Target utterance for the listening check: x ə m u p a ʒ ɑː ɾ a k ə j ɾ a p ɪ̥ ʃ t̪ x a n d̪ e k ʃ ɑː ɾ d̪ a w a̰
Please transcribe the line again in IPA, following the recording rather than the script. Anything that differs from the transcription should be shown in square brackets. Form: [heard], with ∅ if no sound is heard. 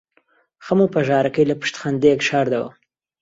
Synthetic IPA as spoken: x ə m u p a ʒ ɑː ɾ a k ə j [l] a p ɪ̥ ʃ t̪ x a n d̪ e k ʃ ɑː ɾ d̪ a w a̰